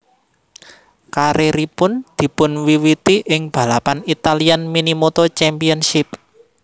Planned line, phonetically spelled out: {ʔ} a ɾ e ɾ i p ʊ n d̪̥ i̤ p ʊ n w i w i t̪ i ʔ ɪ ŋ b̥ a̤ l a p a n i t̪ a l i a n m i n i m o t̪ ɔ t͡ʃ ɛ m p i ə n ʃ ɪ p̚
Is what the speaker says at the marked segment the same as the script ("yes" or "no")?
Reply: no